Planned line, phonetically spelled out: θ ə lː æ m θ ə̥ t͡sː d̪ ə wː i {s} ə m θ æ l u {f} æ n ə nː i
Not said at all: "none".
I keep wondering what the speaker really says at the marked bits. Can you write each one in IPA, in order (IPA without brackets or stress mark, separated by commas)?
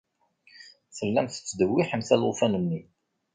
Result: ħ, f